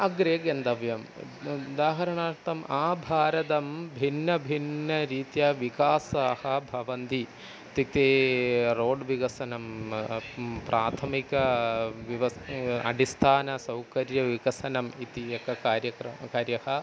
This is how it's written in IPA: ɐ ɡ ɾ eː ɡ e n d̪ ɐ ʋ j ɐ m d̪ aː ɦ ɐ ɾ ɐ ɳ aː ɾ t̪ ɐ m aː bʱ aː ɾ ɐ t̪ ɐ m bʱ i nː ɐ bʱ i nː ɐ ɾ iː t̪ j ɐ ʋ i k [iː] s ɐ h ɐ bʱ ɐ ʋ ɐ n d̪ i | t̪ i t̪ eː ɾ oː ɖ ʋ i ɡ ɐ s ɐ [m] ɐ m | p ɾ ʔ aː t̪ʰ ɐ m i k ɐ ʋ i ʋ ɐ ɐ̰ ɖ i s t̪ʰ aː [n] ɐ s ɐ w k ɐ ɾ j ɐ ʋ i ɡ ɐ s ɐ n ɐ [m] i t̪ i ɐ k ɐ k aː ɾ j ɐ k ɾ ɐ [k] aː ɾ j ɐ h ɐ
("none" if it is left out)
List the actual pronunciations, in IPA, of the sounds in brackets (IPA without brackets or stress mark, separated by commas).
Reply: aː, n, n, m, k